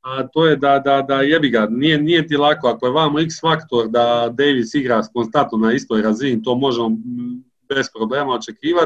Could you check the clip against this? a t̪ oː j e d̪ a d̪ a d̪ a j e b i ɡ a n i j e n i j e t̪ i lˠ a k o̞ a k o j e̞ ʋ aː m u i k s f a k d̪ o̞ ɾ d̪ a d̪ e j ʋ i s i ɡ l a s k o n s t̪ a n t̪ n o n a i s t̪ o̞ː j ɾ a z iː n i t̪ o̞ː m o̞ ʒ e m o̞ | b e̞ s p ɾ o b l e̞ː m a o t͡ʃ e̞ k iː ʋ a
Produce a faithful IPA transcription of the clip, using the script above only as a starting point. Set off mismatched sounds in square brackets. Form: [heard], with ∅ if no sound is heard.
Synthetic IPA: a t̪ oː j e d̪ a d̪ a d̪ a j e b i ɡ a n i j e n i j e t̪ i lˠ a k o̞ a k o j e̞ ʋ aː m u i k s f a k [t̪] o̞ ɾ d̪ a d̪ e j ʋ i s i ɡ [ɾ] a s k o n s t̪ a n t̪ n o n a i s t̪ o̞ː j ɾ a z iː n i t̪ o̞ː m o̞ ʒ e m o̞ | b e̞ s p ɾ o b l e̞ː m a o t͡ʃ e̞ k iː ʋ a